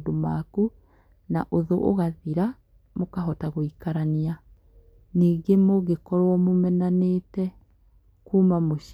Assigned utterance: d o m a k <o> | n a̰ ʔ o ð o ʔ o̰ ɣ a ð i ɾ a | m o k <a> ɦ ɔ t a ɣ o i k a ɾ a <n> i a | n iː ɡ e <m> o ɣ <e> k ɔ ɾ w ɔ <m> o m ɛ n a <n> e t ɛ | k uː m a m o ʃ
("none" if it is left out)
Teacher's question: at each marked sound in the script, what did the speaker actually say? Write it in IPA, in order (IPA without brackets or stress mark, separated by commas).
u, a, n, m, e, m, n